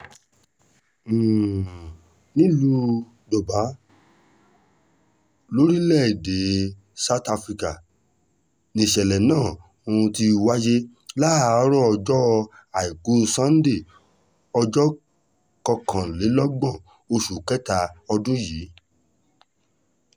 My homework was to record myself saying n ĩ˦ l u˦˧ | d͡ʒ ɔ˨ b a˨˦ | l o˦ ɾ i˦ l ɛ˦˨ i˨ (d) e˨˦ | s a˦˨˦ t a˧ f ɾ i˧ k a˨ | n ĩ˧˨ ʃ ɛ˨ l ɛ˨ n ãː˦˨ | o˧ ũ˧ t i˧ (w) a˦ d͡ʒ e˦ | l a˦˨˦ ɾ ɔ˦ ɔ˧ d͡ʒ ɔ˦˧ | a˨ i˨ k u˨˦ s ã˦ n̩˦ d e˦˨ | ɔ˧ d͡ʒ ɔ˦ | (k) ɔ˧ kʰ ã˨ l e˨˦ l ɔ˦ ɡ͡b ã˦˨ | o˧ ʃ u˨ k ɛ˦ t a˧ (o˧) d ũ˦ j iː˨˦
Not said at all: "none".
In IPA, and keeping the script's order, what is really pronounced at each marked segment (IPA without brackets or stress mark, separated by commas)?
d, w, k, ɔ˧